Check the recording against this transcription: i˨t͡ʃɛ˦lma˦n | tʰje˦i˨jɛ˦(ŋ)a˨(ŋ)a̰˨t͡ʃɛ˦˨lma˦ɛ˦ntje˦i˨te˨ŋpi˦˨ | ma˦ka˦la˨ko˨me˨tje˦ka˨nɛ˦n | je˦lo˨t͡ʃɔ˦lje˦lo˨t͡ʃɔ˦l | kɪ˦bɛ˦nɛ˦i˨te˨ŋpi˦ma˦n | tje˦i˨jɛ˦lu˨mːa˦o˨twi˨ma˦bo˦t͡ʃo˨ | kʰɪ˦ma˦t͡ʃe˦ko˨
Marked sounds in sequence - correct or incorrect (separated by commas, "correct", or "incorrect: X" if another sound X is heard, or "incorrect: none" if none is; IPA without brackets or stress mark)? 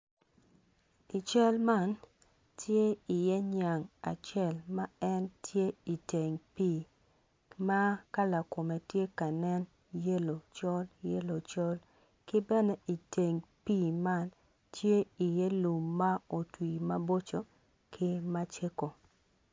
incorrect: ɲ, correct